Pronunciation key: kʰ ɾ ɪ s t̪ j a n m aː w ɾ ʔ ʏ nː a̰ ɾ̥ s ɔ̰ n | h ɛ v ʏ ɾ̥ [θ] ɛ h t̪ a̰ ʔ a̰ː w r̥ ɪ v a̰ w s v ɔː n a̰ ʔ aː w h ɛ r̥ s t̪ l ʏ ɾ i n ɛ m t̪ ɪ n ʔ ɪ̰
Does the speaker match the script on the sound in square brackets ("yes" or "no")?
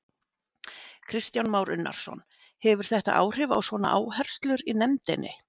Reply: yes